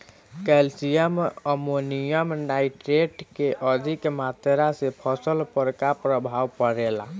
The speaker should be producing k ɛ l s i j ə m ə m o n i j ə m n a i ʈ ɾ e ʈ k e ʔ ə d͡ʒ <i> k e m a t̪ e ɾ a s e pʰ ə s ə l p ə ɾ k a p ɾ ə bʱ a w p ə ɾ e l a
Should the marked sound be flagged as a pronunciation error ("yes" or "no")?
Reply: no